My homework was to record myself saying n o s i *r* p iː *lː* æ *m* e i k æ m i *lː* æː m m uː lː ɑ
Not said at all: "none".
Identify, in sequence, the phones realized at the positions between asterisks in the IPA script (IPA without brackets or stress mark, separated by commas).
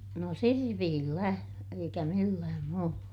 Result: r, lː, none, lː